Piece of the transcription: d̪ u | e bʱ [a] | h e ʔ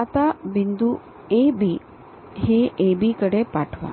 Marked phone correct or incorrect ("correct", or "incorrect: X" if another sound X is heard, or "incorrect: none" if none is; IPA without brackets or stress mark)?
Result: incorrect: i